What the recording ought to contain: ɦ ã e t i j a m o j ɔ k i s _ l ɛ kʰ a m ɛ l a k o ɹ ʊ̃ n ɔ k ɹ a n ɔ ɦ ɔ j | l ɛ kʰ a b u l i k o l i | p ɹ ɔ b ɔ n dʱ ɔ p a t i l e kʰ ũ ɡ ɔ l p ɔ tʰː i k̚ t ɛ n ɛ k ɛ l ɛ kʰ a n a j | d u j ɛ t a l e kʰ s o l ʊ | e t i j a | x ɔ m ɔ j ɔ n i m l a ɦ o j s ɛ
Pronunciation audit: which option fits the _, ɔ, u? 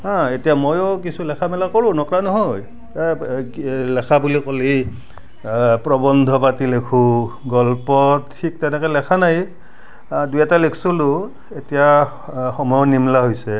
u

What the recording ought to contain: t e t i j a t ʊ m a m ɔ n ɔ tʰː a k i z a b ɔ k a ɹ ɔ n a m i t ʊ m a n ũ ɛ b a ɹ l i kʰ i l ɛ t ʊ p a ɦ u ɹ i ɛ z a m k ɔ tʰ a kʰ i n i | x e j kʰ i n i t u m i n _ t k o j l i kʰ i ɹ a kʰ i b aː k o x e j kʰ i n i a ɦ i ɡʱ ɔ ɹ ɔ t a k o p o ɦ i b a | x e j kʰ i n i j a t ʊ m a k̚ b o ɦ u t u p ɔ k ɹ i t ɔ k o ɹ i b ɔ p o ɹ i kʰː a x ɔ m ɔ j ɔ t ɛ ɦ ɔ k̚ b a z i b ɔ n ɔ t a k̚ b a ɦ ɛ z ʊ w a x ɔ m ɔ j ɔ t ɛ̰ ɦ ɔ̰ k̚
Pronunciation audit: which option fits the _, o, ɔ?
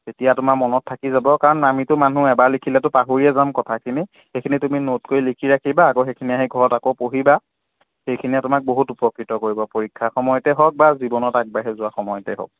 o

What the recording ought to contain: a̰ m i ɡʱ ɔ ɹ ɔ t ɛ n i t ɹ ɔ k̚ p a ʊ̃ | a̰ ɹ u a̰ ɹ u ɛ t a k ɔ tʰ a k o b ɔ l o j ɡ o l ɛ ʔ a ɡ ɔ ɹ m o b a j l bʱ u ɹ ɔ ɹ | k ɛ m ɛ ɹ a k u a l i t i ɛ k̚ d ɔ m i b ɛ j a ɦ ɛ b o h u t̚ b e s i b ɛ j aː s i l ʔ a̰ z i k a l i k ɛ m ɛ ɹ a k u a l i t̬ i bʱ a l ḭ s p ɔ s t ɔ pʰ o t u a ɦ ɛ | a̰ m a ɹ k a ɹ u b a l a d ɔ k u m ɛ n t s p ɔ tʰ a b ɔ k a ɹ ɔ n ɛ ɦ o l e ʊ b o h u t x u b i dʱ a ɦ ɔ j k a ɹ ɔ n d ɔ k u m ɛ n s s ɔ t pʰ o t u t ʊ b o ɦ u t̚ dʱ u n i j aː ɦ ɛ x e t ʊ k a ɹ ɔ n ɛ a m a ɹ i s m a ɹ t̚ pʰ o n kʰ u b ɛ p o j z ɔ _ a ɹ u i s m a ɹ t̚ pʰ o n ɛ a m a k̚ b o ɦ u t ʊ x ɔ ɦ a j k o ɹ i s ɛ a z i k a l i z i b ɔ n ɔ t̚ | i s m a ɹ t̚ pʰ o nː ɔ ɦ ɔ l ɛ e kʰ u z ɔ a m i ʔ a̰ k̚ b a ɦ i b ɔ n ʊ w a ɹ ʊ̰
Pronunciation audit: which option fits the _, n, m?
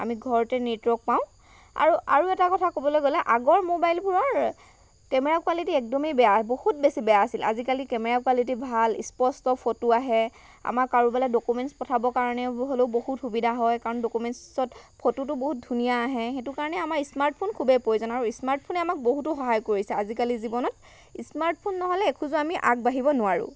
n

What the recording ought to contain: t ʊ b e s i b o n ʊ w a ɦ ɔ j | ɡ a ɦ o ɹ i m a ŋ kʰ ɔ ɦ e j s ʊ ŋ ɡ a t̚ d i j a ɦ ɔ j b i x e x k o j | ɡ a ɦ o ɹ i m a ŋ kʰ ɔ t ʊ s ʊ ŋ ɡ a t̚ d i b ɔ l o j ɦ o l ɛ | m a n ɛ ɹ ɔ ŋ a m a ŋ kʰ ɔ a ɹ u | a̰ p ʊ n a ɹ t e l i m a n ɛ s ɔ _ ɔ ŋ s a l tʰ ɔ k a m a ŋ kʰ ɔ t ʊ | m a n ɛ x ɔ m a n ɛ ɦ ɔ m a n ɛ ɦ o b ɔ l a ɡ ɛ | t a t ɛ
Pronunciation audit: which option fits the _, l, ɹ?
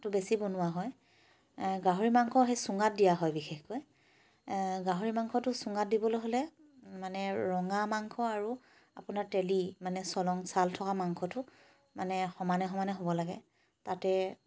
l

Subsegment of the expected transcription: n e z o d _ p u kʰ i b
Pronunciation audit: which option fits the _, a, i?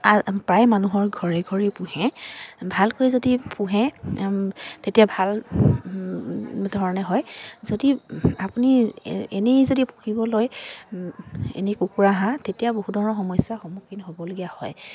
i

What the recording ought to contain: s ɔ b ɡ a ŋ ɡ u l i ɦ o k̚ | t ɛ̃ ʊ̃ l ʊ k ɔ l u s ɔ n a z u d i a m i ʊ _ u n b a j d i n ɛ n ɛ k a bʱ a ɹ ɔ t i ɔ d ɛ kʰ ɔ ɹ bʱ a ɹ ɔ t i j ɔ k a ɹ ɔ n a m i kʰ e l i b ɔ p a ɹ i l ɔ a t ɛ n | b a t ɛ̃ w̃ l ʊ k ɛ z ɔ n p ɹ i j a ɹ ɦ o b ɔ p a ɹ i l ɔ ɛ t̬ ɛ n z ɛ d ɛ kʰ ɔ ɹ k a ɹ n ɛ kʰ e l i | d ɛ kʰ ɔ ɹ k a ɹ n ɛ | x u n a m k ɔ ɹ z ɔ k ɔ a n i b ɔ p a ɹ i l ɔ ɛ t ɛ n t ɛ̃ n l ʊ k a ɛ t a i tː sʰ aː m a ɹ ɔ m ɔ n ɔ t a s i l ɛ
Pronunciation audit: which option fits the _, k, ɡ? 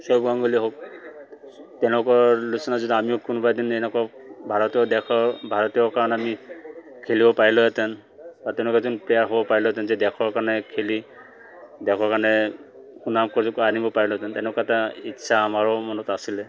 k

